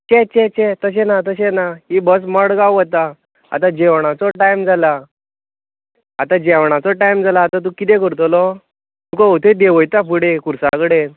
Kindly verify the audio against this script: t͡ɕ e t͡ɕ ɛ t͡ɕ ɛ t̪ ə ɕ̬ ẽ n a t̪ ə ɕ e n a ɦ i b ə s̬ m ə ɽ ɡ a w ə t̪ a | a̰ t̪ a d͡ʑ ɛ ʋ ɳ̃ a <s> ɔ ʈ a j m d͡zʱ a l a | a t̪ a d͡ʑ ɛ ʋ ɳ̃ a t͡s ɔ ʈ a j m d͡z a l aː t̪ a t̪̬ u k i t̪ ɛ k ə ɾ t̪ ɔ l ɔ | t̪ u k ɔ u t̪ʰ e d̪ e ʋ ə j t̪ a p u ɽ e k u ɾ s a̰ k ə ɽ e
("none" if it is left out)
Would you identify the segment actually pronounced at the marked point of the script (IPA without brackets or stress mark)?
t͡s